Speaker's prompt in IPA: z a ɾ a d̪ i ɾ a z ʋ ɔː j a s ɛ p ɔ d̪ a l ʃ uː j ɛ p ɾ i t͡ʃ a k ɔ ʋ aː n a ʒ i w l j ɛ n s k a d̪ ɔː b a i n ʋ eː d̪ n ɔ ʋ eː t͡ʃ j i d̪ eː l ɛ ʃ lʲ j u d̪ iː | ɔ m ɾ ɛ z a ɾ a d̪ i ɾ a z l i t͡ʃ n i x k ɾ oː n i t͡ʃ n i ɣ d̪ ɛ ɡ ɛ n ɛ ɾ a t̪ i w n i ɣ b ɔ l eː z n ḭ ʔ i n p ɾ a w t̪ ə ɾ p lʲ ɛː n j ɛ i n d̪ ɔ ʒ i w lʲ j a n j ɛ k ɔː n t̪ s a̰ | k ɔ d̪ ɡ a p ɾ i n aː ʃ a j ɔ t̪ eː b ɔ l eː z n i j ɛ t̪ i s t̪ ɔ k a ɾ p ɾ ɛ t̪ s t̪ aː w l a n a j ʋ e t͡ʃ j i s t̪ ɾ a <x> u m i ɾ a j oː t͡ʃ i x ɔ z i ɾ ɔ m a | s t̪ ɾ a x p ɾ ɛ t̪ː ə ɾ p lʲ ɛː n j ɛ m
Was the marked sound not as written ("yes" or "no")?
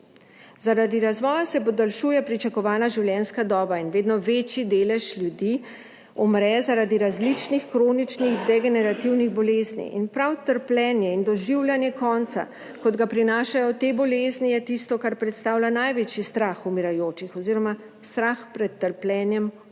no